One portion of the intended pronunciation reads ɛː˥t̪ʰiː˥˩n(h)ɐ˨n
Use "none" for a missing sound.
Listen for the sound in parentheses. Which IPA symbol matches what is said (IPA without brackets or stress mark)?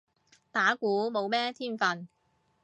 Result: f